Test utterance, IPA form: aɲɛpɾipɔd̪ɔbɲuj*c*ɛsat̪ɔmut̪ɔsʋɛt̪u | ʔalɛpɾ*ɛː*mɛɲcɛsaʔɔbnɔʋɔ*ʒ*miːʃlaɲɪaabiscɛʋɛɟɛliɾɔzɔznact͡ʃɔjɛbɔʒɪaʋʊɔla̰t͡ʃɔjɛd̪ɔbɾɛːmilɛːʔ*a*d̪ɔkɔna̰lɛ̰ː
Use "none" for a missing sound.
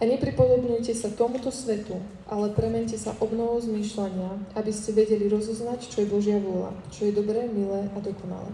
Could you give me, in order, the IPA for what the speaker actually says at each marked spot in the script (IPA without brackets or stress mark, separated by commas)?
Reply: c, ɛ, z, a